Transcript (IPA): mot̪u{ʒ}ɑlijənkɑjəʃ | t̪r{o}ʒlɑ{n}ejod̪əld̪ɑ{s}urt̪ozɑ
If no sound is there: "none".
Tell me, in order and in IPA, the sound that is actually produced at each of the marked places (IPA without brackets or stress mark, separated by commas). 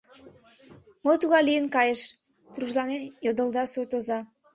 ɣ, u, n, s